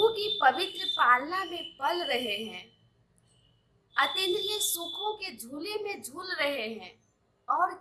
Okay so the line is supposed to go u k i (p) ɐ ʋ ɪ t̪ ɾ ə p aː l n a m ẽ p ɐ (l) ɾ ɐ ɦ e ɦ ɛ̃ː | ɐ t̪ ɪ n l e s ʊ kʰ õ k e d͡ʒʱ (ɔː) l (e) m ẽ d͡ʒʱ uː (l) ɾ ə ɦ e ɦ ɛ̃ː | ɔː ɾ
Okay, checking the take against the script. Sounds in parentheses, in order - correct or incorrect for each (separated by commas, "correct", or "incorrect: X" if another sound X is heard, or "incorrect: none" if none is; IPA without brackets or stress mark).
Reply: correct, correct, incorrect: uː, correct, correct